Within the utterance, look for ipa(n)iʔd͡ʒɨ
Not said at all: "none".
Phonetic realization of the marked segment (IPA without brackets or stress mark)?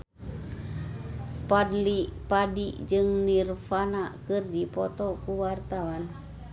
d